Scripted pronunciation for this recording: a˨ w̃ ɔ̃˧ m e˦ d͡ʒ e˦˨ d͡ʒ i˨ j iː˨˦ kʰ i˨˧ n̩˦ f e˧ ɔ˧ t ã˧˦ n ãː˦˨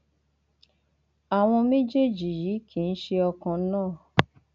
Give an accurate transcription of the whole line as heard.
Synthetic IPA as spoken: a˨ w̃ ɔ̃˧ m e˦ d͡ʒ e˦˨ d͡ʒ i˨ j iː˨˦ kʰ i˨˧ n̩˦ ʃ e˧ ɔ˧ k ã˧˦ n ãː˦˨